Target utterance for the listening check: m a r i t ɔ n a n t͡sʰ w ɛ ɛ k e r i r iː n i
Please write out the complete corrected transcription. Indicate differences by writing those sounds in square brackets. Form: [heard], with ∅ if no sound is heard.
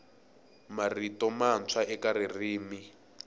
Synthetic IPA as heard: m a r i t ɔ [m] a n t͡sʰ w [a] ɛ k [a] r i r iː [m] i

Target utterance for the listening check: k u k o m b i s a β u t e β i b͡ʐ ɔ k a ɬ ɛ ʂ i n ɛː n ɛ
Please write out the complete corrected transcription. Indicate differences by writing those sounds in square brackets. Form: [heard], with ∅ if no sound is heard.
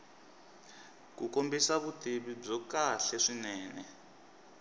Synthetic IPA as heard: k u k o m b i s a β u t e β i b͡ʐ ɔ k a ɬ ɛ ʂ i n ɛː n ɛ

